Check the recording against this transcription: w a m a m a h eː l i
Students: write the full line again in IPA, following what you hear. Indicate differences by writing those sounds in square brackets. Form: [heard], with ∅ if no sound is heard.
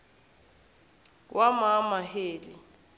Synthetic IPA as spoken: w a m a m a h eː l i